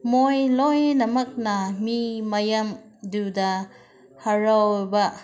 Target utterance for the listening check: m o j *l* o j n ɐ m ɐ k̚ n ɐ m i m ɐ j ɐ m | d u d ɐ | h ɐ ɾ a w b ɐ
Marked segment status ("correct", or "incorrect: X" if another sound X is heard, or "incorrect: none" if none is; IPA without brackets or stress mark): correct